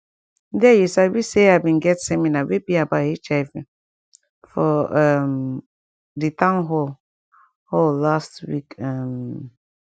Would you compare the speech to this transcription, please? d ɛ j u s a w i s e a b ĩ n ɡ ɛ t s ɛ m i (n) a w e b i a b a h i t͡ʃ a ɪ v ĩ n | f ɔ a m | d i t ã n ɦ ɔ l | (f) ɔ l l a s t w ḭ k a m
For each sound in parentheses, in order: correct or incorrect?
correct, incorrect

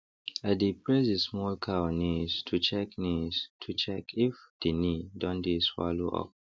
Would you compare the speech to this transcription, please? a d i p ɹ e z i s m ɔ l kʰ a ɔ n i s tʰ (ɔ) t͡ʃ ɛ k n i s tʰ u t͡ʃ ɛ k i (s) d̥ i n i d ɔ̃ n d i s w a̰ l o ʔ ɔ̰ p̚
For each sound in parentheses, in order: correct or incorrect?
incorrect, incorrect

